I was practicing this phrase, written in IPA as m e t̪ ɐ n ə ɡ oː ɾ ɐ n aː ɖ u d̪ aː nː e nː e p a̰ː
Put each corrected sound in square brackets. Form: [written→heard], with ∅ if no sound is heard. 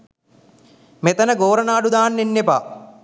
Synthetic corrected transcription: m e t̪ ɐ n ə ɡ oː ɾ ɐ n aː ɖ u d̪ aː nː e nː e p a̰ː